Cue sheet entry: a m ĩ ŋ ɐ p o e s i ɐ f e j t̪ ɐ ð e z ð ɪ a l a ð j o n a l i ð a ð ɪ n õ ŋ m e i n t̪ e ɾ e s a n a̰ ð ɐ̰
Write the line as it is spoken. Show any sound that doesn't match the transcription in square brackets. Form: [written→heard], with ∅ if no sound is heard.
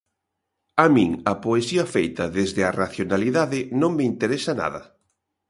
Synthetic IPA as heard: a m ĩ ŋ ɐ p o e s i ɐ f e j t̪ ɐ ð e z ð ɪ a [l→r] a [ð→θ] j o n a l i ð a ð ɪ n õ ŋ m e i n t̪ e ɾ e s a n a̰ ð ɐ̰